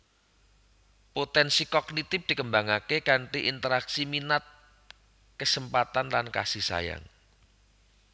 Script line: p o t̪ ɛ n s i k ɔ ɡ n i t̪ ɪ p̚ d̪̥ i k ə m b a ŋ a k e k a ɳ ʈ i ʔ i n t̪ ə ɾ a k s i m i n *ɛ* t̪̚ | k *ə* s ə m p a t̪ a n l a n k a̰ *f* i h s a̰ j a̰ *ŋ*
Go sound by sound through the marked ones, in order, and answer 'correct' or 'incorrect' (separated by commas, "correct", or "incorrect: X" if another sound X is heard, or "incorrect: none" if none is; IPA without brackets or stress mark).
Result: incorrect: a, correct, incorrect: s, correct